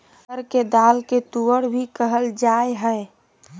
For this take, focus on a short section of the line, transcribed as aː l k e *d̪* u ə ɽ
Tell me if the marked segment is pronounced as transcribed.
no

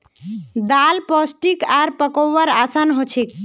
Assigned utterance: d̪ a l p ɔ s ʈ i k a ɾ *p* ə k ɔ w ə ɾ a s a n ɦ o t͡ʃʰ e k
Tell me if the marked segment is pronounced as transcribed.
yes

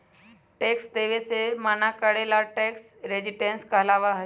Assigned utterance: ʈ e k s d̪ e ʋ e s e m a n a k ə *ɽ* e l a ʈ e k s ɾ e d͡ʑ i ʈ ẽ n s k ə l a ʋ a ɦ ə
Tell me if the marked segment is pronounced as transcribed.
yes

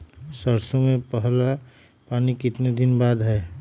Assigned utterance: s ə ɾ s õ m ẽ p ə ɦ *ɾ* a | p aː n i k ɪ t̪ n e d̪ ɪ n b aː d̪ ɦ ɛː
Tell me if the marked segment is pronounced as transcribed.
no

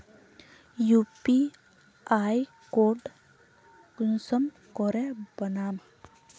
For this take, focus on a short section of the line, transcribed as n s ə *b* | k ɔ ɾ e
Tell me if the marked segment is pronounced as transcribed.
no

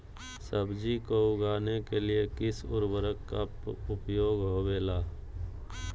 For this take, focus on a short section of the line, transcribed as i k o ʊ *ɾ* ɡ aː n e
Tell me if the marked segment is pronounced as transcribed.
no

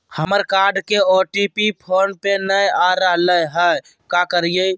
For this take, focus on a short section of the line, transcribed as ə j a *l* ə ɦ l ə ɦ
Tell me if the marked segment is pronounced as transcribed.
no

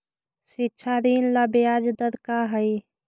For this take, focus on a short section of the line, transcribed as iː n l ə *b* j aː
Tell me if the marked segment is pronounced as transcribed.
yes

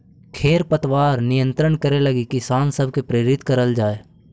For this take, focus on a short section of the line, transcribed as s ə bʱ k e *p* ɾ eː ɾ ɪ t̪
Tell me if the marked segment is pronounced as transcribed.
yes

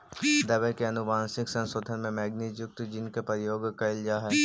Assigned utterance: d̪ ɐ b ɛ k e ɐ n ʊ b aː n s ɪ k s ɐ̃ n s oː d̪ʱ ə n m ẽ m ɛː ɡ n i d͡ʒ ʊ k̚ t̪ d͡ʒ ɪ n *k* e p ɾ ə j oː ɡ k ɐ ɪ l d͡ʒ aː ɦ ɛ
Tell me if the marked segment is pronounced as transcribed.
yes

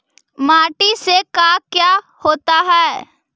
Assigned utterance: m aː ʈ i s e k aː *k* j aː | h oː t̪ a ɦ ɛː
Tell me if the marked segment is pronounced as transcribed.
yes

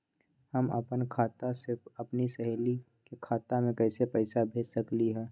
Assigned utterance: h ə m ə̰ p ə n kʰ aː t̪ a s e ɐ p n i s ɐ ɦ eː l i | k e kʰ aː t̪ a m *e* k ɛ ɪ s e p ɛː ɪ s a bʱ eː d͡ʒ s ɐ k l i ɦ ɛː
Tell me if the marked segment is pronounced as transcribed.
no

